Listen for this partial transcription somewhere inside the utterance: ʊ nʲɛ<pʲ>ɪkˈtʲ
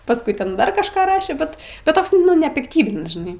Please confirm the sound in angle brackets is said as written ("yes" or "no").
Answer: yes